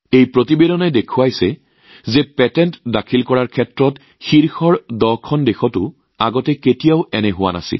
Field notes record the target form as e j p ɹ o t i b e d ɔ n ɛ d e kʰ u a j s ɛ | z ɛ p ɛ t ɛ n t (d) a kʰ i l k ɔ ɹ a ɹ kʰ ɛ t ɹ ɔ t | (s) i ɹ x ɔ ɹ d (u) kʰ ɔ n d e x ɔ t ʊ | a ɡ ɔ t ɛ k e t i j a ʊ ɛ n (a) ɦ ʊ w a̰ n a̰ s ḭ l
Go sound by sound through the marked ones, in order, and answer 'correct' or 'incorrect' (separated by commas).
correct, incorrect, incorrect, incorrect